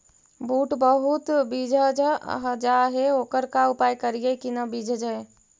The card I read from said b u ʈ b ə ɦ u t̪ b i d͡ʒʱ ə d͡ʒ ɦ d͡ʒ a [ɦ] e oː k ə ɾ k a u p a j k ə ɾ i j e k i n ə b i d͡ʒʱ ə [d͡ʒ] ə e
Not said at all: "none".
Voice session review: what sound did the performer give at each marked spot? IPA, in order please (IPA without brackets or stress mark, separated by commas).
ɦ, d͡ʒ